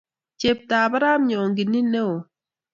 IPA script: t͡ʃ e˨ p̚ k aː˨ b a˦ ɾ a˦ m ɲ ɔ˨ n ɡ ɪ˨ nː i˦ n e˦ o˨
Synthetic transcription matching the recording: t͡ʃ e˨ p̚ t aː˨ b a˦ ɾ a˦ m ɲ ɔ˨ ŋ ɡ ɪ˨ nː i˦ n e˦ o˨